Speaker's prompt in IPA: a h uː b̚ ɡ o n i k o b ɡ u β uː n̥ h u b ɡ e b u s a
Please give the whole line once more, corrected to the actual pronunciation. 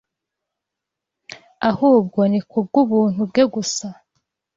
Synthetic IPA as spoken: a h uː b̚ ɡ o n i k u b ɡ u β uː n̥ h u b ɡ e ɡ u s a